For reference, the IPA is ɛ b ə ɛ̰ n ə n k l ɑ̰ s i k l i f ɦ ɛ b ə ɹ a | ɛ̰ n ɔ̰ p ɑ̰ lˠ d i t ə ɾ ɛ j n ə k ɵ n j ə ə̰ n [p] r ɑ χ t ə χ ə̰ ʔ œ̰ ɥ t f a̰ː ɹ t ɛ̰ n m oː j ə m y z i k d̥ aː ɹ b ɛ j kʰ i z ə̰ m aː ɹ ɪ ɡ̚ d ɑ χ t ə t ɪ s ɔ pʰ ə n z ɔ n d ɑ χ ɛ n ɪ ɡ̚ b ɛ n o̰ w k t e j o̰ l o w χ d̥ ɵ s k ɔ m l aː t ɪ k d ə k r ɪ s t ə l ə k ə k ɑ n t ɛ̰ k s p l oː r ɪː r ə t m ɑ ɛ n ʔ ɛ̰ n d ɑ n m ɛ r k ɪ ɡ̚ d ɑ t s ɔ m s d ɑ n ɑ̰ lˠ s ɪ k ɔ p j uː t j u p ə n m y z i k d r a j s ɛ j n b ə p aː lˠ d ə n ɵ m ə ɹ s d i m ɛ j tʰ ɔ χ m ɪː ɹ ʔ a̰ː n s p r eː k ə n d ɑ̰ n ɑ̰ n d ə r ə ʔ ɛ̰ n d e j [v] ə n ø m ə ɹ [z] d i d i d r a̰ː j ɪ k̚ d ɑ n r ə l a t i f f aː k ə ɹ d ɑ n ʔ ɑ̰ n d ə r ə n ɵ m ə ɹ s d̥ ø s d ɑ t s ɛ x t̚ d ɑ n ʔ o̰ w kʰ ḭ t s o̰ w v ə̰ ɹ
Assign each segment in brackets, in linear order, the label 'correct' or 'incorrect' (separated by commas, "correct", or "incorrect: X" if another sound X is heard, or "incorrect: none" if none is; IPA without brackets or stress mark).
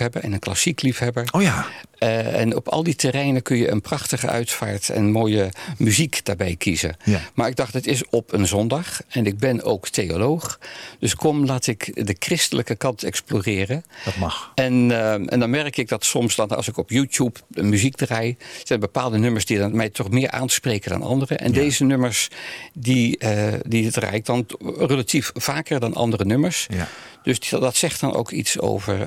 correct, incorrect: z, incorrect: s